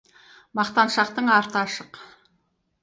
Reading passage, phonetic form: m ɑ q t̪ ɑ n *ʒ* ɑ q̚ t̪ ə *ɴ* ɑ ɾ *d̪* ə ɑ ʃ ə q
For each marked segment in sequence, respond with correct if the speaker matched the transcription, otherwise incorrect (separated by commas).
incorrect, correct, incorrect